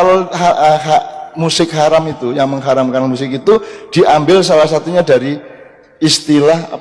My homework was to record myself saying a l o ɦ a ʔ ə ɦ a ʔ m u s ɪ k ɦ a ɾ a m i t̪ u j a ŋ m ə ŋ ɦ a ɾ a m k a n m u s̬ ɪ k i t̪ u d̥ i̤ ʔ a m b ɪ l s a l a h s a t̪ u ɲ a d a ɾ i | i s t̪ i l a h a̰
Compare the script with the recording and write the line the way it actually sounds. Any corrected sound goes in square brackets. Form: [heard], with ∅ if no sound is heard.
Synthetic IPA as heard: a l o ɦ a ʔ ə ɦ a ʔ m u s ɪ k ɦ a ɾ a m i t̪ u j a ŋ m ə ŋ ɦ a ɾ a m k a n m u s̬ ɪ k i t̪ u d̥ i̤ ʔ a m b ɪ l s a l a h s a t̪ u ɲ a d a ɾ i | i s t̪ i l a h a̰